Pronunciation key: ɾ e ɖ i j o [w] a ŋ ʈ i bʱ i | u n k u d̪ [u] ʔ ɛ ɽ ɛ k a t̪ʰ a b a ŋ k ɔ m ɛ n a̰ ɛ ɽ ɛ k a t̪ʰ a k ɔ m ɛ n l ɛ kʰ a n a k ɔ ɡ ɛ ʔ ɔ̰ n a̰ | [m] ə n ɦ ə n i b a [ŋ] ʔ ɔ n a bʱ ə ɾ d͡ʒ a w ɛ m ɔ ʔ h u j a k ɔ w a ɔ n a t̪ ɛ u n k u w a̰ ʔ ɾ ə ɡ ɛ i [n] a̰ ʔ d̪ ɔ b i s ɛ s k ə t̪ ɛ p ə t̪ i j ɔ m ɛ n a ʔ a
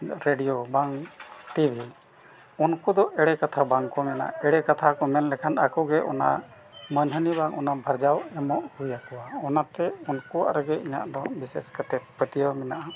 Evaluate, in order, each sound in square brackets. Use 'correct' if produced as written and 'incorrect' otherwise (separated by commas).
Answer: incorrect, incorrect, correct, correct, incorrect